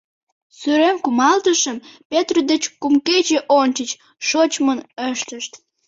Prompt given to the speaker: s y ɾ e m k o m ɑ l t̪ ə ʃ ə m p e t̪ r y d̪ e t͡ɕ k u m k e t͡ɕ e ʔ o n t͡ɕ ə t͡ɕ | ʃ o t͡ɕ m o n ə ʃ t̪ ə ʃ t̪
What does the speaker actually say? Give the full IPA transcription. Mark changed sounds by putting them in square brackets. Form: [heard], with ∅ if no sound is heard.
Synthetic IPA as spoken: s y ɾ e m k [u] m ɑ l t̪ ə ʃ ə m p e t̪ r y d̪ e t͡ɕ k u m k e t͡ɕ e ʔ o n t͡ɕ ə t͡ɕ | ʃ o t͡ɕ m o n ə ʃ t̪ ə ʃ t̪